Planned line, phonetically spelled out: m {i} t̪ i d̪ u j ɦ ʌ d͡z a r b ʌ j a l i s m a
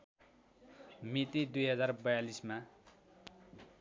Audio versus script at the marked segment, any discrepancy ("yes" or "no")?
no